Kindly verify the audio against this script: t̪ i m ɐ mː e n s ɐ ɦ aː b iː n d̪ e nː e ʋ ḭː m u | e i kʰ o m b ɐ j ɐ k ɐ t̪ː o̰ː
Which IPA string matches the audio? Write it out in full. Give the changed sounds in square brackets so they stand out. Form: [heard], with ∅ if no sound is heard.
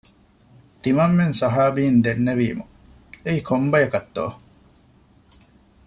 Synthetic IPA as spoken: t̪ i m ɐ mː e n s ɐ ɦ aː b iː n d̪ e nː e ʋ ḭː m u | e i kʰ o m b ɐ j ɐ k ɐ t̪ː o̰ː